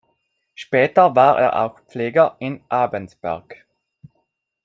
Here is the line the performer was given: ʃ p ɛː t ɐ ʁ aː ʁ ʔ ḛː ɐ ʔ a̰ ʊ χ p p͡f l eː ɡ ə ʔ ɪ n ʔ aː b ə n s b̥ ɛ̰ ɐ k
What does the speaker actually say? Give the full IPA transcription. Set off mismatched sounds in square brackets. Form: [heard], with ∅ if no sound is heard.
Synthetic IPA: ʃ p ɛː t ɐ [v] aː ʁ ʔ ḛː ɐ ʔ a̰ ʊ [x] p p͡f l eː ɡ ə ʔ ɪ n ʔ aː b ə n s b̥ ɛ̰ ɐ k